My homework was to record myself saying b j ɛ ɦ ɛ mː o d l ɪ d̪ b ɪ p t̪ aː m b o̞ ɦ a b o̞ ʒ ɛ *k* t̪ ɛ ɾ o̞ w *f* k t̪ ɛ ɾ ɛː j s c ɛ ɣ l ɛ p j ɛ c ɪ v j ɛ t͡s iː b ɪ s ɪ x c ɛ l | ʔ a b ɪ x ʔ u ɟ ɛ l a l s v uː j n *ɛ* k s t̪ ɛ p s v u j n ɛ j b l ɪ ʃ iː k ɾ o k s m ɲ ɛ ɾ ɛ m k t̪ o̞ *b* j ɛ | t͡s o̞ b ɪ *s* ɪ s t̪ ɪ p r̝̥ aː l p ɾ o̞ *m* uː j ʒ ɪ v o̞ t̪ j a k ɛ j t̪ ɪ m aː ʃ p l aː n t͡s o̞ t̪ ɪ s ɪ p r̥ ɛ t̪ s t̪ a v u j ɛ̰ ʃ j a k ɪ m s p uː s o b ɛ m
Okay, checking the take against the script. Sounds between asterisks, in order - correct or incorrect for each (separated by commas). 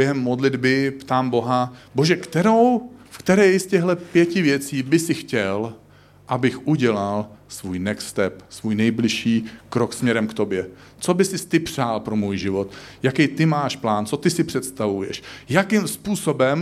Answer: correct, correct, correct, correct, correct, correct